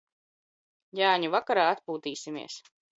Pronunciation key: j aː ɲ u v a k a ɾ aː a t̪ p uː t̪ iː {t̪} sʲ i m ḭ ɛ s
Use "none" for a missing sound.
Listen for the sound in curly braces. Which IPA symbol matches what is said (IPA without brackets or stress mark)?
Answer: none